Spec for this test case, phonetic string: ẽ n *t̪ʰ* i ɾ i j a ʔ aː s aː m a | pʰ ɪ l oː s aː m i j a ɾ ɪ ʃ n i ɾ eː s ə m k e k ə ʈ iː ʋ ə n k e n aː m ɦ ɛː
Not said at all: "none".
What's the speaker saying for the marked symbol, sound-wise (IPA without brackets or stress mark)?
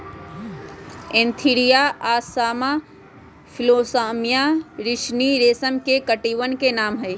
t̪ʰ